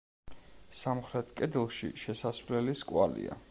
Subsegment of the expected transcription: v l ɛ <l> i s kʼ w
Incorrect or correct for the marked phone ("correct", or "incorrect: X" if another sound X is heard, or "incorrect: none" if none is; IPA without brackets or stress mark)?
correct